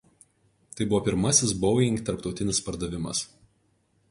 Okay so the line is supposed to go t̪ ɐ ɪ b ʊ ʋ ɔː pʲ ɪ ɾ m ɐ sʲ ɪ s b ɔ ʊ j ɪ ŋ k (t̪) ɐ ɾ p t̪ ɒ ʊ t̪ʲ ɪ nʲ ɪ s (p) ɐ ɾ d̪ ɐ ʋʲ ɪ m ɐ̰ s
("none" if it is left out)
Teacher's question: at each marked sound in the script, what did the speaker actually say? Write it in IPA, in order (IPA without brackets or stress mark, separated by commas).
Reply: t̪, p